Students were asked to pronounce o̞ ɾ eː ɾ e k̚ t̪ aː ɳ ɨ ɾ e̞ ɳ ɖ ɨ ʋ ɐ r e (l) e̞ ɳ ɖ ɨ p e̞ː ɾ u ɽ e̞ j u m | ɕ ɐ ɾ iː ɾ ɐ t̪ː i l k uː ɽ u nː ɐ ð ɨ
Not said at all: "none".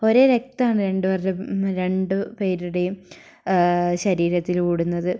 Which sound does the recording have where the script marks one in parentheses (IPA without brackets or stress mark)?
ɾ